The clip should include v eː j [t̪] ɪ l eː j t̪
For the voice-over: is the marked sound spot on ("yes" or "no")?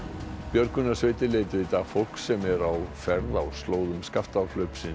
yes